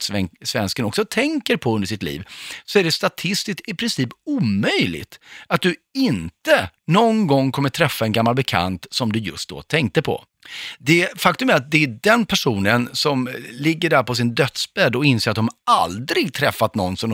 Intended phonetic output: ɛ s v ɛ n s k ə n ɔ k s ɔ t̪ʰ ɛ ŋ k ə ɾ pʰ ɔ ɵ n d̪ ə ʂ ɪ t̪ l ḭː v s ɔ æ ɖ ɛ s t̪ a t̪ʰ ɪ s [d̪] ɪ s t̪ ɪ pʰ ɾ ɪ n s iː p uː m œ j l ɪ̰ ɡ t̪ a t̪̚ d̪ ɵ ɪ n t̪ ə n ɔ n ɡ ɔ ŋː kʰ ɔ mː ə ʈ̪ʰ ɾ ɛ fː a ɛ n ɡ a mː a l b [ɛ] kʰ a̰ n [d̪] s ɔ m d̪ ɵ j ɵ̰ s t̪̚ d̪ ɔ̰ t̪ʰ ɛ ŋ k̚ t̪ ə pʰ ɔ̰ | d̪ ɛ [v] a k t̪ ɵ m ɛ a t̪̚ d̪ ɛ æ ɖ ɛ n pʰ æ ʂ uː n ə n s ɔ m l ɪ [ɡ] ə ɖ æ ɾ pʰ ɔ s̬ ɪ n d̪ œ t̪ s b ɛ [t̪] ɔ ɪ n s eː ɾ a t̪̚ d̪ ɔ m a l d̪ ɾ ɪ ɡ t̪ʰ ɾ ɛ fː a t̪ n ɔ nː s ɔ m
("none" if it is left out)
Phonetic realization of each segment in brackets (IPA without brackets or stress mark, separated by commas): t̪, ɛ, t̪, f, ɡː, d̪